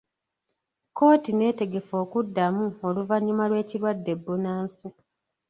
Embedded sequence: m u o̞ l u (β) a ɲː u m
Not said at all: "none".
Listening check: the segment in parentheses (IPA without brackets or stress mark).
v